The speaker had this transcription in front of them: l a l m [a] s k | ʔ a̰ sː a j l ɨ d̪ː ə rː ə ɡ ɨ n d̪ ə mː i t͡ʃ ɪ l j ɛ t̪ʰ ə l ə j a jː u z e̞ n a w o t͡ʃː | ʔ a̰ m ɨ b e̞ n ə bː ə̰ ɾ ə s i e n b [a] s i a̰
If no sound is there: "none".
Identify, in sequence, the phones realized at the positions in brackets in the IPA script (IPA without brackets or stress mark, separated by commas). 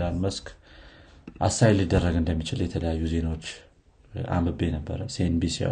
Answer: ə, i